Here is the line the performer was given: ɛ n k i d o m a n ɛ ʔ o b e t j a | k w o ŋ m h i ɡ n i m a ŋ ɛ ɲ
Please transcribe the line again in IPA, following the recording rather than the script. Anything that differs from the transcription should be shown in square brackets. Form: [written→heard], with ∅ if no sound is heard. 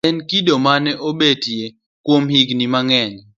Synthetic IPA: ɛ n k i d o m a n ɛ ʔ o b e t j [a→e] | k w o [ŋ→∅] m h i ɡ n i m a ŋ ɛ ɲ